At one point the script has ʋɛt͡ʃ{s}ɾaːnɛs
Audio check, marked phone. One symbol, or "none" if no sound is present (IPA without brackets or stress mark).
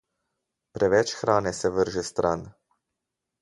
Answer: x